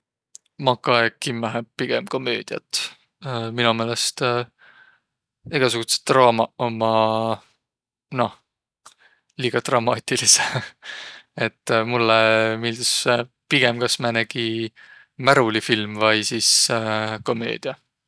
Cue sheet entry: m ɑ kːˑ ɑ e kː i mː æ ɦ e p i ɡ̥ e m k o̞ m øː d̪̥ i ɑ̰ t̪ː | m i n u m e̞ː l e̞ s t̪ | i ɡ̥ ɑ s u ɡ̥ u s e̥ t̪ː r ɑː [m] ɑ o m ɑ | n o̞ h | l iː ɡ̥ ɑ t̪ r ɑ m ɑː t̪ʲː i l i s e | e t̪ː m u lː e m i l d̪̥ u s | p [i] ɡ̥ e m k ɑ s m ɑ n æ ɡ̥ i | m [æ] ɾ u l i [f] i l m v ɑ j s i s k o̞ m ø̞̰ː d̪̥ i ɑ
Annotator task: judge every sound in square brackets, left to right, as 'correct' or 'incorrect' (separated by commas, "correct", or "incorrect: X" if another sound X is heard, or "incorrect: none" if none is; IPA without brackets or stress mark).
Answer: correct, correct, correct, correct